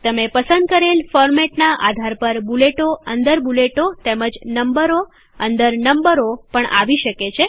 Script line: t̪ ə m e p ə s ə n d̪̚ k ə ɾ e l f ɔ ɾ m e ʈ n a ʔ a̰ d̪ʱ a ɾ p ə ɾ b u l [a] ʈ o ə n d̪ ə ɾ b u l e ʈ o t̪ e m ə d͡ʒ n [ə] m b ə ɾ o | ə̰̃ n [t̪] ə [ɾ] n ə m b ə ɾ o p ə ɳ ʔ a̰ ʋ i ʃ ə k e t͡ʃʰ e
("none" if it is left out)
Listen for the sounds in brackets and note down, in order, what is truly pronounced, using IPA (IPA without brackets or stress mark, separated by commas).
e, ə, d̪, ɾ